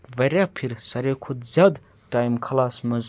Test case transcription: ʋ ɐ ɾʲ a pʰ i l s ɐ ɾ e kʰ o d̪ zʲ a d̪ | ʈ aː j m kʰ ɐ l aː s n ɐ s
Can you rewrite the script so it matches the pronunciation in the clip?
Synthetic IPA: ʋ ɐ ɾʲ a pʰ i ɾ s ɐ ɾ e kʰ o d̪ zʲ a d̪ | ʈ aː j m kʰ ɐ l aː s m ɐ z